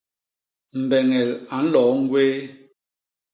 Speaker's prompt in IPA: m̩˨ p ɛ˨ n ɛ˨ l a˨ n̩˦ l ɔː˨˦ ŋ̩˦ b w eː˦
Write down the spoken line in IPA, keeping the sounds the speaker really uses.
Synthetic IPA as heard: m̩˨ b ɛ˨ ŋ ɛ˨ l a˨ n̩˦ l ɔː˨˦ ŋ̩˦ ɡ w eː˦